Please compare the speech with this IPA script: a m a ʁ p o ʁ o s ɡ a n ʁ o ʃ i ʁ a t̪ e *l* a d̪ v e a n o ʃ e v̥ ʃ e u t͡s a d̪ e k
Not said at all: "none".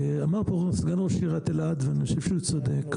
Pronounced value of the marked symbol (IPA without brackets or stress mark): l